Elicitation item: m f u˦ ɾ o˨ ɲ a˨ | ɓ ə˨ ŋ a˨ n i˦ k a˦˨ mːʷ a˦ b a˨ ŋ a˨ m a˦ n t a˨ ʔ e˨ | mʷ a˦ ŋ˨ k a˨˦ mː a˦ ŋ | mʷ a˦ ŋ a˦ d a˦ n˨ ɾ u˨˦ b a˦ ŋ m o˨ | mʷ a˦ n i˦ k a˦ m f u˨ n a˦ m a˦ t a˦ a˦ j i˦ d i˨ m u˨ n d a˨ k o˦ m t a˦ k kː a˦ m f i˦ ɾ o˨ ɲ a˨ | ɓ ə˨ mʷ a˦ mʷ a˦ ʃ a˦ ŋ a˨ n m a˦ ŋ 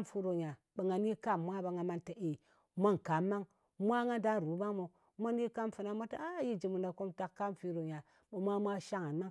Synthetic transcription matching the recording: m f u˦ ɾ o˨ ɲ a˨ | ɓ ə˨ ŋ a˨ n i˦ k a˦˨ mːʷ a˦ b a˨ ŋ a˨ m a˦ n t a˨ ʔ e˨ | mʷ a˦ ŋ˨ k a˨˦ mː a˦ ŋ | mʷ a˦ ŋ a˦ d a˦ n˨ ɾ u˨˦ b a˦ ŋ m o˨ | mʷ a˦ n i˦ k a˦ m f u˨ n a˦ m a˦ t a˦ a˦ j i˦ d͡ʒ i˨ m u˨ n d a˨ k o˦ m t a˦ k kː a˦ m f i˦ ɾ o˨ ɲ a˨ | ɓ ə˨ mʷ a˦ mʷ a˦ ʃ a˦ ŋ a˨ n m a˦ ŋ

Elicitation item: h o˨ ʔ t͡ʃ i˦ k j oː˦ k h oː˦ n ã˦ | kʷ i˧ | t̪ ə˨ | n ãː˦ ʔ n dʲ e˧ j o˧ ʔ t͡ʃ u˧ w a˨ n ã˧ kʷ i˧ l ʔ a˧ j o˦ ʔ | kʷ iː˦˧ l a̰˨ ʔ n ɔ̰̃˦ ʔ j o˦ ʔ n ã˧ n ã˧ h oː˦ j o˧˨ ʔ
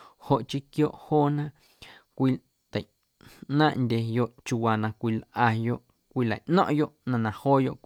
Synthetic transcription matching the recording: h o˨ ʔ t͡ʃ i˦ k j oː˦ ʔ h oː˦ n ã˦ | kʷ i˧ | t̪ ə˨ | n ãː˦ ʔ n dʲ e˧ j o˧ ʔ t͡ʃ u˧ w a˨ n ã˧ kʷ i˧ l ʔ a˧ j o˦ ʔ | kʷ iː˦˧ l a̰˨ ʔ n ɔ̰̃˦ ʔ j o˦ ʔ n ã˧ n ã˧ h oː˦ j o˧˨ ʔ

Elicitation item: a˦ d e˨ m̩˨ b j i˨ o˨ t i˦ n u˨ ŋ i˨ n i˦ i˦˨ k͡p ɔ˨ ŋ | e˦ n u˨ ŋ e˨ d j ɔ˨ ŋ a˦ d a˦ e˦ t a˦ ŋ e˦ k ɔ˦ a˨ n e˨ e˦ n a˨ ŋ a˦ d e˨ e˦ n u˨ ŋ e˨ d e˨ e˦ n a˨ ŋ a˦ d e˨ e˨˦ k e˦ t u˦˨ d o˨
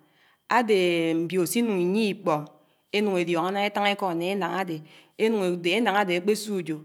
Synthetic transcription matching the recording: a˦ d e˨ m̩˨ b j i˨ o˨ s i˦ n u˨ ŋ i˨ ɲ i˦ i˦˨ k͡p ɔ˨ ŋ | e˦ n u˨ ŋ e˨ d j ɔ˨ ŋ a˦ n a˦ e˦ t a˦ ŋ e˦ k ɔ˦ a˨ n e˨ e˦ n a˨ ŋ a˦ d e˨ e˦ n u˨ ŋ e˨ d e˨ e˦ n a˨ ŋ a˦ d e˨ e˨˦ k͡p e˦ s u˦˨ d͡ʒ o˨

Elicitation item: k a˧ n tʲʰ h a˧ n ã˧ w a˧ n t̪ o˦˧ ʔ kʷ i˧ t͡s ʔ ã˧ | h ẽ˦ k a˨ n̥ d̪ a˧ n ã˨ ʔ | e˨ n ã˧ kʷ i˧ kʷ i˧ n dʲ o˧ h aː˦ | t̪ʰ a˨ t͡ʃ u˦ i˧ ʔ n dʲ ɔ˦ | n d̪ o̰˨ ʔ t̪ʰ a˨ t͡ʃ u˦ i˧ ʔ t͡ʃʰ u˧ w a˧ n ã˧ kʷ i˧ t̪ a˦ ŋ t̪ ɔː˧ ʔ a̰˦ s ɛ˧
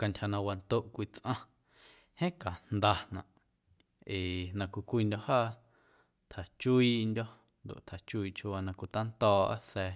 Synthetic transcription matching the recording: k a˧ n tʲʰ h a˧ n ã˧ w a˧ n t̪ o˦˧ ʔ kʷ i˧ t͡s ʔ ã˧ | h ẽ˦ k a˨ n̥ d̪ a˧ n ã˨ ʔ | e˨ n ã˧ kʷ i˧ kʷ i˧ n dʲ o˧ h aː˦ | t̪ʰ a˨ t͡ʃ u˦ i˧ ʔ n dʲ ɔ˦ | n d̪ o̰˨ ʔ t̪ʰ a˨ t͡ʃ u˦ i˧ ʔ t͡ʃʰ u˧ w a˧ n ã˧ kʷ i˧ t̪ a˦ n t̪ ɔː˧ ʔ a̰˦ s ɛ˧

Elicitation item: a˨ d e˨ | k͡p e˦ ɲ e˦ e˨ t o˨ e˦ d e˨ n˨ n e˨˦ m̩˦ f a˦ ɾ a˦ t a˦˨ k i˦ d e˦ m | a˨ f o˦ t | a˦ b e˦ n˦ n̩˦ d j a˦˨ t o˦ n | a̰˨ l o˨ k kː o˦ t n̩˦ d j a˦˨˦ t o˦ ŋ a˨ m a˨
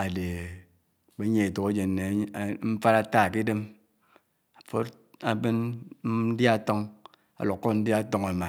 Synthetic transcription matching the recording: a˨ d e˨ | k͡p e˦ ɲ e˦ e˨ t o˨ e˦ d͡ʒ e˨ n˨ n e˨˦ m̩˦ f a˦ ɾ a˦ t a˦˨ k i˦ d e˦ m | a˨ f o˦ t | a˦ b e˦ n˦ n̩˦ d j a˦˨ t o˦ ŋ | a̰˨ l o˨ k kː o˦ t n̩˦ d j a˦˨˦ t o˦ ŋ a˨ m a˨

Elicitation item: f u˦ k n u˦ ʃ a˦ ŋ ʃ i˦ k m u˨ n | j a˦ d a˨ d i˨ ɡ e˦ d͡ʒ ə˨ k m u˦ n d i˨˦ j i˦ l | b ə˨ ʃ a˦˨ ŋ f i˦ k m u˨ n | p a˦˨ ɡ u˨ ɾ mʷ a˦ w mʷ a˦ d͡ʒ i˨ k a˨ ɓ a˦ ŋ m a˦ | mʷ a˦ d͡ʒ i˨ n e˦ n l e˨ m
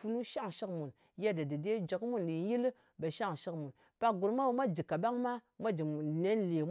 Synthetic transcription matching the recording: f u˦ n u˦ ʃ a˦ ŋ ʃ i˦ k m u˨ n | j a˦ d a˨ d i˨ d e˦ d͡ʒ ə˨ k m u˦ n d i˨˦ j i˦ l | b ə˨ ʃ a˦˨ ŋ ʃ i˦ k m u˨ n | p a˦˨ ɡ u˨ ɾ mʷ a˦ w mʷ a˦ d͡ʒ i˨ k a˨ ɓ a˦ ŋ m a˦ | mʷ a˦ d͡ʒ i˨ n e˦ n l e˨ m

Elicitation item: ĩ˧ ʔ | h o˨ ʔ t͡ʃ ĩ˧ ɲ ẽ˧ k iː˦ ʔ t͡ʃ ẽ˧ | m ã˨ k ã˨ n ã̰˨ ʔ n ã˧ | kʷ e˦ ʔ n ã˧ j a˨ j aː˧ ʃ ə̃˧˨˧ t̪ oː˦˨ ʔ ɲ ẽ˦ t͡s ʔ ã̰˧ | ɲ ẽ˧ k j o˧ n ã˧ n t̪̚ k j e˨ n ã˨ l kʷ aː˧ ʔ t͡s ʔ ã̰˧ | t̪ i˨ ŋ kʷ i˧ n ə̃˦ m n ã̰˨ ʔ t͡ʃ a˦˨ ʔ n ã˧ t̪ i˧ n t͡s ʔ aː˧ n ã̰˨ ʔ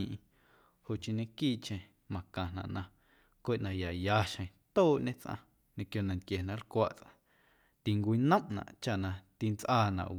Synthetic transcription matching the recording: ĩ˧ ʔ | h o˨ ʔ t͡ʃ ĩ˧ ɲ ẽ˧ k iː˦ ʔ t͡ʃ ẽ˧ | m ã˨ k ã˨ n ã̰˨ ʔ n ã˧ | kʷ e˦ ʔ n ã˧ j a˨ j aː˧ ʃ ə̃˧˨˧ t̪ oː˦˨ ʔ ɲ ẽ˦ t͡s ʔ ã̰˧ | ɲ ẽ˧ k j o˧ n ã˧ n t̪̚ k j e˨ n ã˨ l kʷ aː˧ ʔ t͡s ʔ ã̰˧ | t̪ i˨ ŋ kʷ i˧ n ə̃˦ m n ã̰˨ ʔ t͡ʃ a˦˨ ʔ n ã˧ t̪ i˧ n t͡s ʔ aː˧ n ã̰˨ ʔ

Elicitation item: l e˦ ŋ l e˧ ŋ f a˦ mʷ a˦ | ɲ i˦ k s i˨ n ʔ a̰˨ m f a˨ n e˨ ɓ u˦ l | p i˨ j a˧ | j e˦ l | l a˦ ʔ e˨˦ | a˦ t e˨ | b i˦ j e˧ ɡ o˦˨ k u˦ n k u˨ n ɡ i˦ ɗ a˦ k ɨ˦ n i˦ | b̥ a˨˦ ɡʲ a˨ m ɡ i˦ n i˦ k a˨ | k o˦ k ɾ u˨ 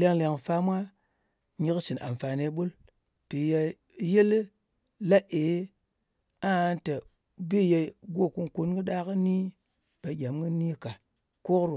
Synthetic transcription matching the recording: l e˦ ŋ l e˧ ŋ f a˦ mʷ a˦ | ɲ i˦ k s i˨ n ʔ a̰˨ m f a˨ n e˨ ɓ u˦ l | p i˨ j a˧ | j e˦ l | l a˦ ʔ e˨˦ | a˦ t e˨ | b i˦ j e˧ ɡ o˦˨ k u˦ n k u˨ n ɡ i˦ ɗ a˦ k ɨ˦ n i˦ | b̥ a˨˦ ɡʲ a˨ m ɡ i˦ n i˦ k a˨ | k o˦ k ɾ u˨

